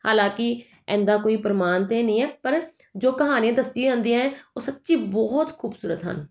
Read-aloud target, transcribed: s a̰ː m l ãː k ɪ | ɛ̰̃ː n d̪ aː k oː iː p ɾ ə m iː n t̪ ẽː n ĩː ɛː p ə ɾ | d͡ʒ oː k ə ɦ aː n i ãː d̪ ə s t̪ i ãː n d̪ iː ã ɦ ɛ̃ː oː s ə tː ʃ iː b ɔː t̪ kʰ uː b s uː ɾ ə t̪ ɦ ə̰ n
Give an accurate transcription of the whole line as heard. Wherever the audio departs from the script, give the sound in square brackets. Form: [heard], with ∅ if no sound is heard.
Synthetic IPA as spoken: [h] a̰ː [∅] l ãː k ɪ | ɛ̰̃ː n d̪ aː k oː iː p ɾ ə m [aː] n t̪ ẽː n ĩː ɛː p ə ɾ | d͡ʒ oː k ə ɦ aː n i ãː d̪ ə s t̪ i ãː n d̪ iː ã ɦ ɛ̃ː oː s ə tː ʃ iː b ɔː t̪ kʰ uː b s uː ɾ ə t̪ ɦ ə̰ n

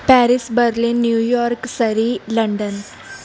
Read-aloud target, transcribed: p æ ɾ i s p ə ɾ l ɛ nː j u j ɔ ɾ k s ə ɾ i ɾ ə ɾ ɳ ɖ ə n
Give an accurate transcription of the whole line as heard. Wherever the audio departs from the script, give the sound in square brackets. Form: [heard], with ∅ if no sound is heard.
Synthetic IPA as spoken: p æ ɾ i s [b] ə ɾ l [i] nː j u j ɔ ɾ k s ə ɾ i [l] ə [∅] ɳ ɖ ə n

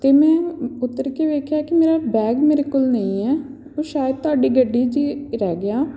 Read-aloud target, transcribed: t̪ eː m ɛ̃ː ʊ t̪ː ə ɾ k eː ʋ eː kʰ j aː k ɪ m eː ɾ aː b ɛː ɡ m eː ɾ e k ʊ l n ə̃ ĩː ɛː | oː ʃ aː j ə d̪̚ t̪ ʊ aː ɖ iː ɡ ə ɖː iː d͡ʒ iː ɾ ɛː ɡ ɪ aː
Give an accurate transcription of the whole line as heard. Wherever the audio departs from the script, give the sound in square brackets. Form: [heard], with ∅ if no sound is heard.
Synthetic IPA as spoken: t̪ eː m ɛ̃ː ʊ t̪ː ə ɾ k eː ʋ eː kʰ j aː k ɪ m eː ɾ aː b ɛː ɡ m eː ɾ e k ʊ l n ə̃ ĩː ɛː | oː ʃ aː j ə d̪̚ t̪ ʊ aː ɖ iː ɡ ə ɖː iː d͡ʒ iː ɾ ɛː ɡ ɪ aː

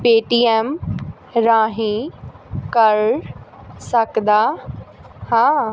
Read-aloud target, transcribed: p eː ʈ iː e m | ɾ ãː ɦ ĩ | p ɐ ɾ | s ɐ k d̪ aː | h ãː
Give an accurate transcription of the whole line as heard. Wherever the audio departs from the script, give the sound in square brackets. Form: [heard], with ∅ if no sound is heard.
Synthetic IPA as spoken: p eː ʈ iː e m | ɾ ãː ɦ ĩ | [k] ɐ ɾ | s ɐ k d̪ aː | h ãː

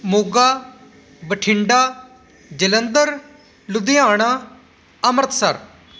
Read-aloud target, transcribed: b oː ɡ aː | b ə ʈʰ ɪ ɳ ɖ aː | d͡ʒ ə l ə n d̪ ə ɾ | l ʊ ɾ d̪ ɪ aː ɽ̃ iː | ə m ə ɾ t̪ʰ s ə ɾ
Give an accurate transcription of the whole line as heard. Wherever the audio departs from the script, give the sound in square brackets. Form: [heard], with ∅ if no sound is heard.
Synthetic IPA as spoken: [m] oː ɡ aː | b ə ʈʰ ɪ ɳ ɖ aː | d͡ʒ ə l ə n d̪ ə ɾ | l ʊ [∅] d̪ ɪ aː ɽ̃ [aː] | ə m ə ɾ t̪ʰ s ə ɾ

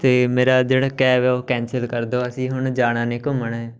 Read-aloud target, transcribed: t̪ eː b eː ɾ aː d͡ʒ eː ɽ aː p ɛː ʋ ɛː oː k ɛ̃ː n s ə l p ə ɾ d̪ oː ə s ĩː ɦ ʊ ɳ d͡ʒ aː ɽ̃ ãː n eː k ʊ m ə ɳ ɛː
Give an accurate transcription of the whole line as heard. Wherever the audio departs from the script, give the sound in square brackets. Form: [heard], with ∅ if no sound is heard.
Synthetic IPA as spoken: t̪ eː [m] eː ɾ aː d͡ʒ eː ɽ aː [k] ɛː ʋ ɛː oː k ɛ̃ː n s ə l [k] ə ɾ d̪ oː ə s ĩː ɦ ʊ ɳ d͡ʒ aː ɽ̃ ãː n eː k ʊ m ə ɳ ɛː

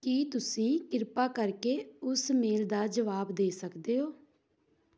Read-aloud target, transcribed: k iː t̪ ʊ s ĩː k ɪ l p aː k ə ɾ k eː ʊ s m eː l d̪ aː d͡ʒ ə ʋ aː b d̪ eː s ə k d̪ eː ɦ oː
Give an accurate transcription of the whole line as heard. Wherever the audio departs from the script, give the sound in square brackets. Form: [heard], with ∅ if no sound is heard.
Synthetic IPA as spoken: k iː t̪ ʊ s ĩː k ɪ [ɾ] p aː k ə ɾ k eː ʊ s m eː l d̪ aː d͡ʒ ə ʋ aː b d̪ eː s ə k d̪ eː ɦ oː

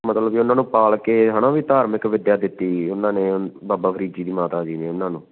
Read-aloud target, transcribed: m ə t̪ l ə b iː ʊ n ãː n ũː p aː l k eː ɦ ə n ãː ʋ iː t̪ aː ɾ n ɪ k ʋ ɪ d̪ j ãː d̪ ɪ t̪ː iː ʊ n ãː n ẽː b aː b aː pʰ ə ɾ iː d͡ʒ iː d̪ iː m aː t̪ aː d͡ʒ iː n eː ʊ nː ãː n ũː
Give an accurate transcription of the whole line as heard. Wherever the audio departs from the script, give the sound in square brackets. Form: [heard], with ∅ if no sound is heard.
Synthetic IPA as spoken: m ə t̪ l ə b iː ʊ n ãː n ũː p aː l k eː ɦ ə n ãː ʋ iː t̪ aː ɾ [m] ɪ k ʋ ɪ d̪ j [aː] d̪ ɪ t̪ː iː ʊ n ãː n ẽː b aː b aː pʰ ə ɾ iː d͡ʒ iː d̪ iː m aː t̪ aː d͡ʒ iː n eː ʊ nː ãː n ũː

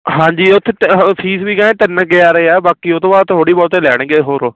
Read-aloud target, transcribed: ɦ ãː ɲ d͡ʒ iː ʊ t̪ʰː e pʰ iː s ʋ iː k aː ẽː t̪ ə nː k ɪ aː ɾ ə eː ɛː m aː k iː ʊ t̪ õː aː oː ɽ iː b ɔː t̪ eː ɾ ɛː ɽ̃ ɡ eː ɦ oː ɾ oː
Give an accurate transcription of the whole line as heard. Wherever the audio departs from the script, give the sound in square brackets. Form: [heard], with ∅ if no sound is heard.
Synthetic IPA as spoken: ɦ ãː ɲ d͡ʒ iː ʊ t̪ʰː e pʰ iː s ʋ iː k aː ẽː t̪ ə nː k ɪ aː ɾ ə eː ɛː [b] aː k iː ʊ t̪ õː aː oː ɽ iː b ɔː t̪ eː [l] ɛː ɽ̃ ɡ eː ɦ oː ɾ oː

